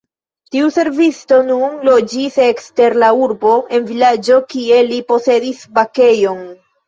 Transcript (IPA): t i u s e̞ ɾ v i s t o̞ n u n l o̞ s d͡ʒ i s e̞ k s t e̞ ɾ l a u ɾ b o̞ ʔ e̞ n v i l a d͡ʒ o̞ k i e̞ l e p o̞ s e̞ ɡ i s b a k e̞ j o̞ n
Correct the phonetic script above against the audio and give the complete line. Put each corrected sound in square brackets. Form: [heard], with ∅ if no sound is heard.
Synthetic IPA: t i u s e̞ ɾ v i s t o̞ n u n l o̞ [∅] d͡ʒ i s e̞ k s t e̞ ɾ l a u ɾ b o̞ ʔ e̞ n v i l a d͡ʒ o̞ k i e̞ l [i] p o̞ s e̞ [d] i s b a k e̞ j o̞ n